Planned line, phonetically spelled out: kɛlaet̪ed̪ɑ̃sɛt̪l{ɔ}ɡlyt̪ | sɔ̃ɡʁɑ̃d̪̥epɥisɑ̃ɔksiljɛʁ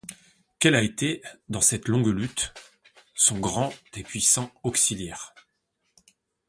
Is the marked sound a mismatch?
yes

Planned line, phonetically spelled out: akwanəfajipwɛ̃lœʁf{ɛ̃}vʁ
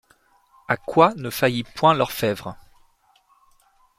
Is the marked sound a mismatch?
yes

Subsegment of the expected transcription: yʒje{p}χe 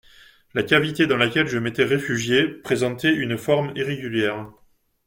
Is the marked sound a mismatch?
no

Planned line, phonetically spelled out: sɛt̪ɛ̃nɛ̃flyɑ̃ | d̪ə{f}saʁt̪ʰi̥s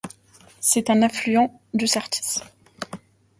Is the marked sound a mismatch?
yes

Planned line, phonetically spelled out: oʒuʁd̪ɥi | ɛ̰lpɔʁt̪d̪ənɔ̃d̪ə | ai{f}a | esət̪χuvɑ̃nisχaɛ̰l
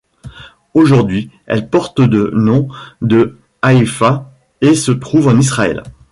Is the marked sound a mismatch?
no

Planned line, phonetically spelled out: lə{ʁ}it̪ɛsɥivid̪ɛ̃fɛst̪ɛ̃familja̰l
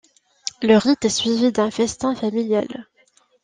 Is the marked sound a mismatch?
no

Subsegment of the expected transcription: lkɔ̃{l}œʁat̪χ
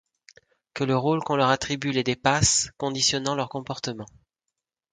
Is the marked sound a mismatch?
no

